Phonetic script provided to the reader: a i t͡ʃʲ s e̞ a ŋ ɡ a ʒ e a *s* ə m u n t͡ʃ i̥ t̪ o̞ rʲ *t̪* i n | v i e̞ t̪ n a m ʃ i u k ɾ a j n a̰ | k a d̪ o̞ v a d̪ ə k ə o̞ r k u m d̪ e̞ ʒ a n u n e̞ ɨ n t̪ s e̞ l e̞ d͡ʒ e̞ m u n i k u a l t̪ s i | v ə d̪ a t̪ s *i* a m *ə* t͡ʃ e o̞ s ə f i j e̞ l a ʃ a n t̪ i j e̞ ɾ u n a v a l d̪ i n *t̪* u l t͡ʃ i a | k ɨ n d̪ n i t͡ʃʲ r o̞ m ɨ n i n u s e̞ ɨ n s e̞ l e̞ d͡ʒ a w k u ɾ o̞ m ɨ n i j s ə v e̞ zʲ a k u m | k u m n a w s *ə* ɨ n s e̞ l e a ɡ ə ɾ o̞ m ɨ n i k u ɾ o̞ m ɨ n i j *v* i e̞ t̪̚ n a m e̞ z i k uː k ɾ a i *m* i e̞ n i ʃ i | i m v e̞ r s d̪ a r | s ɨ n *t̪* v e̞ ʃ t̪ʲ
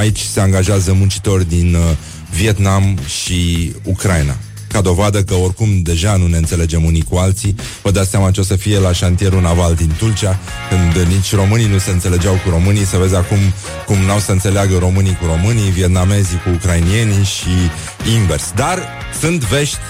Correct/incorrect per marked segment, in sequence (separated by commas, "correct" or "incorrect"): incorrect, incorrect, incorrect, incorrect, correct, correct, correct, incorrect, correct